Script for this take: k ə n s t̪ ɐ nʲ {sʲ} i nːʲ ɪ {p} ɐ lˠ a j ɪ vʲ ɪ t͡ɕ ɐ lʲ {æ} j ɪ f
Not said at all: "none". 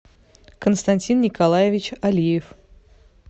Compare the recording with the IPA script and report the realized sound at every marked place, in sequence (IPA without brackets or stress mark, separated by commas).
tʲ, k, i